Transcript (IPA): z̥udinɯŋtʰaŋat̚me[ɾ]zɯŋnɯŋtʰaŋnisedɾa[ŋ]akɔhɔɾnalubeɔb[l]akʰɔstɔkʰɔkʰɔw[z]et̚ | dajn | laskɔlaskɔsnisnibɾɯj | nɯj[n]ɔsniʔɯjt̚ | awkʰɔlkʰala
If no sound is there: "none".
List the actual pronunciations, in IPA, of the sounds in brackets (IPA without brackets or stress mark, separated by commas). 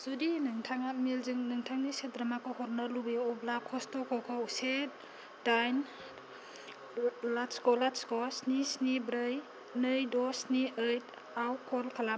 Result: l, m, l, s, d